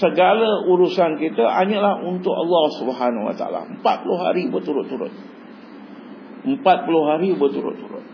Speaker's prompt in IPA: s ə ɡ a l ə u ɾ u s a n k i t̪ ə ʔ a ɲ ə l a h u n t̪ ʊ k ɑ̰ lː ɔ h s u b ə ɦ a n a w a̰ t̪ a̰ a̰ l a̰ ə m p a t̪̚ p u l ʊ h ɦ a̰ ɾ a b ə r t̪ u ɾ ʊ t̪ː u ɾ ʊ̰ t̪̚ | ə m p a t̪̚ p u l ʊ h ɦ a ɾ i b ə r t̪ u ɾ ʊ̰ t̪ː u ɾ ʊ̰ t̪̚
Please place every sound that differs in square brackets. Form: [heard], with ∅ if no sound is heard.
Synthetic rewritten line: s ə ɡ a l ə u ɾ u s a n k i t̪ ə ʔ a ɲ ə l a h u n t̪ ʊ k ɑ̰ lː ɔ h s u b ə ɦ a n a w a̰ t̪ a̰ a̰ l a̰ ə m p a t̪̚ p u l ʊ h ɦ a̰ ɾ [i] b ə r t̪ u ɾ ʊ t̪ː u ɾ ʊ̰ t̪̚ | ə m p a t̪̚ p u l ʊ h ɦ a ɾ i b ə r t̪ u ɾ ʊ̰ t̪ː u ɾ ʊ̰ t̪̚